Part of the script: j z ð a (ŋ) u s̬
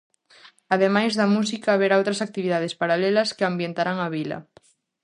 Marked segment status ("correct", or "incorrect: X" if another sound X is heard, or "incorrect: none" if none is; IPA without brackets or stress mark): incorrect: m